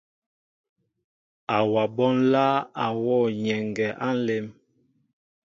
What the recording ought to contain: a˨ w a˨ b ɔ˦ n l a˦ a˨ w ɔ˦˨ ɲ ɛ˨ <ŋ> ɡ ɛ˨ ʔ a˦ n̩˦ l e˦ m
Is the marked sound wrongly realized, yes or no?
no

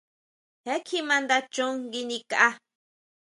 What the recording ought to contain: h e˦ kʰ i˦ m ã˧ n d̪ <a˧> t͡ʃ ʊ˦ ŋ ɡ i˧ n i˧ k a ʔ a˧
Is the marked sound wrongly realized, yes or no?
no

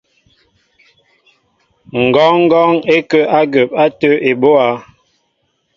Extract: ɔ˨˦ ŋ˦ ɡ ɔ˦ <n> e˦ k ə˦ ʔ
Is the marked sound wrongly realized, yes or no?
yes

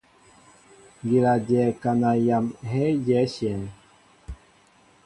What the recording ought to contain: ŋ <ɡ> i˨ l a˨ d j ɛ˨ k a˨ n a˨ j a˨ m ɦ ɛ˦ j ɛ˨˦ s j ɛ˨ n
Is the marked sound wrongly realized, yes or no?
no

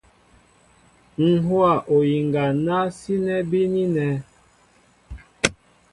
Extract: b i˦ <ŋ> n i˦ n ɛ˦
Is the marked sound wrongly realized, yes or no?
yes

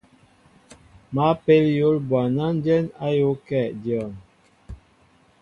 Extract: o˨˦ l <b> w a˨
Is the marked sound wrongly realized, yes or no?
no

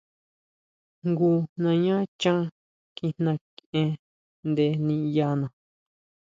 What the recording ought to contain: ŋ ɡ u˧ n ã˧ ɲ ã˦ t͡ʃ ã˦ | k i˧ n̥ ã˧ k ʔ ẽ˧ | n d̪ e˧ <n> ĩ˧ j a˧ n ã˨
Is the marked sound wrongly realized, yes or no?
no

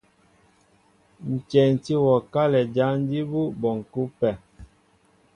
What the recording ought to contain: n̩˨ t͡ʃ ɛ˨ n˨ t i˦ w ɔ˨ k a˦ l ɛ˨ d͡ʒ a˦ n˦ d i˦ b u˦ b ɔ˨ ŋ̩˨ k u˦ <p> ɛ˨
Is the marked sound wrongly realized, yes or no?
no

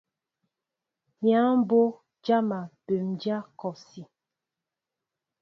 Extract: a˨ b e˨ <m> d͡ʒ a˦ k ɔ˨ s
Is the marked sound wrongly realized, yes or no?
no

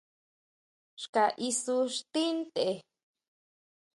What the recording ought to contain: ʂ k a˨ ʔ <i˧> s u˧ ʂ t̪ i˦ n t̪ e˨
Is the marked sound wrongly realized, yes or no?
no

